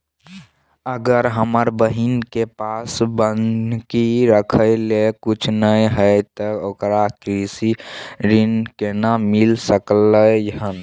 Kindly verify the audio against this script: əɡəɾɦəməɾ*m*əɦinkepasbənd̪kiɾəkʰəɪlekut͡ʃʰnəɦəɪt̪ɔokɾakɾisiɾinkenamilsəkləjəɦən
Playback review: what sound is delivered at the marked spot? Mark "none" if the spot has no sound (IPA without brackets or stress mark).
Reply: b